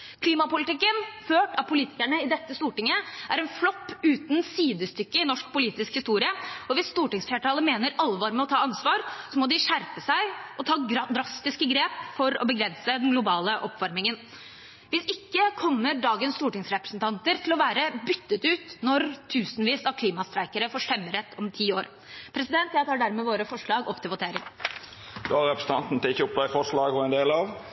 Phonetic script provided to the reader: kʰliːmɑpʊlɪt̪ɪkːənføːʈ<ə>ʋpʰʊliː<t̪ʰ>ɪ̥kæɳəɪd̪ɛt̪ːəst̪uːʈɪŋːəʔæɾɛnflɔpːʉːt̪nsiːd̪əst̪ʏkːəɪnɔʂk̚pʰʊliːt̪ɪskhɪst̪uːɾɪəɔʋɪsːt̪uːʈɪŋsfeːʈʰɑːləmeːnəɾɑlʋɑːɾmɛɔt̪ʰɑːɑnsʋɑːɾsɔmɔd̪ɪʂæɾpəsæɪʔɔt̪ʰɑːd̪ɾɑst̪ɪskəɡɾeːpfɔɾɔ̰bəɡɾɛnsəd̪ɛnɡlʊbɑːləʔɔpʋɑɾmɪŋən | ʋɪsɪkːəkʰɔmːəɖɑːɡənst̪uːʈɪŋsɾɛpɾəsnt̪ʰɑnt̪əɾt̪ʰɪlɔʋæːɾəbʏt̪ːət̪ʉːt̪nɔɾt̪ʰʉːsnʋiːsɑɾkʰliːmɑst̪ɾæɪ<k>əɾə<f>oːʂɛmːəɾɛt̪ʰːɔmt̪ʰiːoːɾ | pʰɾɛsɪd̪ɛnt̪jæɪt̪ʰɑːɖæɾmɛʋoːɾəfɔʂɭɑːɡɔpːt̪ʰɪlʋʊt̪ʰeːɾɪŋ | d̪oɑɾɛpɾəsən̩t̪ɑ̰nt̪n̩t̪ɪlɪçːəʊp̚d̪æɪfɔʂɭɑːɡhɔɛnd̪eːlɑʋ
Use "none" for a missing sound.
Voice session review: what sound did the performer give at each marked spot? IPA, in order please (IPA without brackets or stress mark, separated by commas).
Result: ɑ, t̪, k, f